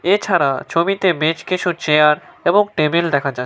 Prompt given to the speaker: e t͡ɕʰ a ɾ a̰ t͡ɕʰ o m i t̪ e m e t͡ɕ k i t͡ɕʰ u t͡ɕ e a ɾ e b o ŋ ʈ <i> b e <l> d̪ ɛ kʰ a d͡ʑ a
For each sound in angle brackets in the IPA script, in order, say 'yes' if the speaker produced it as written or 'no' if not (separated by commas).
no, yes